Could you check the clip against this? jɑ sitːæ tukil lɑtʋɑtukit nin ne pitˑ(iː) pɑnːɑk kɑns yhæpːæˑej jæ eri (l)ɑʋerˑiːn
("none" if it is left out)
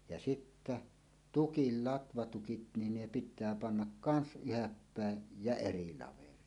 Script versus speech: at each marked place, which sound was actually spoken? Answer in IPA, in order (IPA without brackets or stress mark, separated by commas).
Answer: æː, l